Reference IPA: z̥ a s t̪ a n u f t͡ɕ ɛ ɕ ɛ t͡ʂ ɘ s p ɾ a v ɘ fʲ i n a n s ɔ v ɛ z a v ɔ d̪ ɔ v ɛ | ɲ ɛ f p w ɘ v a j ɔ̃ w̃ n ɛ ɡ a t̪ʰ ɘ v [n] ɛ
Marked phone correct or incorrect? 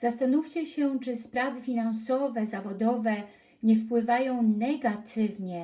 incorrect